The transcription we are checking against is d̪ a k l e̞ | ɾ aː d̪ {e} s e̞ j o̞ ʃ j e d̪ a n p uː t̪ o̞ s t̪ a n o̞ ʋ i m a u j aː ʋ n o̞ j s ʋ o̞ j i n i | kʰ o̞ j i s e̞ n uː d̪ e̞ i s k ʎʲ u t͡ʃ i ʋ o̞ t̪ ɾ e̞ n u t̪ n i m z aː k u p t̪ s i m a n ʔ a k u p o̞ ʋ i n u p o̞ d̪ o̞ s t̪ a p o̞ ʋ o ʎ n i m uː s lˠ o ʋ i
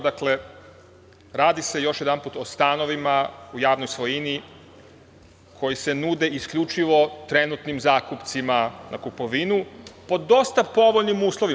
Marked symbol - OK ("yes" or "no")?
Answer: no